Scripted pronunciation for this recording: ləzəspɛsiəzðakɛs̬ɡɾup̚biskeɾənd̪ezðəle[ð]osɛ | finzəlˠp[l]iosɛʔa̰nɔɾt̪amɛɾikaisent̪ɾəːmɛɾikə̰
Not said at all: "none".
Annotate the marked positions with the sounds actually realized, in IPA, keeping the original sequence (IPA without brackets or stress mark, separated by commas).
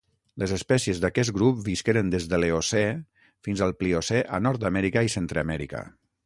none, l